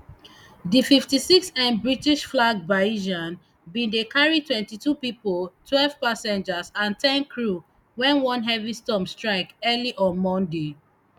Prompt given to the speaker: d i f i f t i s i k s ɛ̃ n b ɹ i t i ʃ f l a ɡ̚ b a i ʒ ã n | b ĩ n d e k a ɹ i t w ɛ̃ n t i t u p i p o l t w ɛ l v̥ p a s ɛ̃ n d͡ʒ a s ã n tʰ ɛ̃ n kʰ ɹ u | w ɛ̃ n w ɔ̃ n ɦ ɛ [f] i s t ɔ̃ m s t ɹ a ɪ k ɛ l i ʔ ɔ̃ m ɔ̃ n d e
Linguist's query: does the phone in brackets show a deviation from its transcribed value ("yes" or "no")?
yes